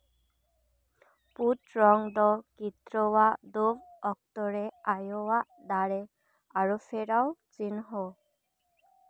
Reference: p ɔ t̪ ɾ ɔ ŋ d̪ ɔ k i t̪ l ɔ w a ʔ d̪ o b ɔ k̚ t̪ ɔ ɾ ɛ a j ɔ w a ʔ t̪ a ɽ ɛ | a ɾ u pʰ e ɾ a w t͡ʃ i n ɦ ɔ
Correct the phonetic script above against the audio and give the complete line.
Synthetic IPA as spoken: p u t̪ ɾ ɔ ŋ d̪ ɔ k i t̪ ɾ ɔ w a ʔ d̪ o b ɔ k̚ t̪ ɔ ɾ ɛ a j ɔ w a ʔ d̪ a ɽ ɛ | a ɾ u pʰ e ɾ a w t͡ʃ i n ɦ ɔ